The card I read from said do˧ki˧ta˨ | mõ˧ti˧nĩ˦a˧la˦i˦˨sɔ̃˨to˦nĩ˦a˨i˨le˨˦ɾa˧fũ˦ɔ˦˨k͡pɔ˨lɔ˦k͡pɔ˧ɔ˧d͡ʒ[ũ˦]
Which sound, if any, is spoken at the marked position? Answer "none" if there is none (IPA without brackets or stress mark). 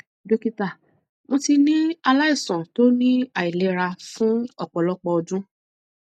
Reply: ũ˦